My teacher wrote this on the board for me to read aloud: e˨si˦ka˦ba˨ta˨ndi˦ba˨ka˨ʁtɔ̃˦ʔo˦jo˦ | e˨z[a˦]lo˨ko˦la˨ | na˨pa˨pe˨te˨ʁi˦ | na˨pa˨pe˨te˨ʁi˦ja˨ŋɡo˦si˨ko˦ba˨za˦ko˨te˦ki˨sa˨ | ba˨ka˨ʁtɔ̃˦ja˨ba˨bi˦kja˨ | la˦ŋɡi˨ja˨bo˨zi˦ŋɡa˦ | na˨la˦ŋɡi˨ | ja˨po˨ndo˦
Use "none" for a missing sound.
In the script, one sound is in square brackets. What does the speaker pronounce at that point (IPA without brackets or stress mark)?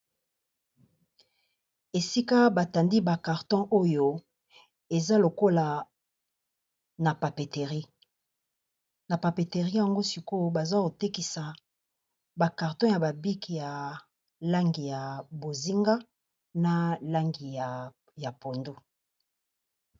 a˦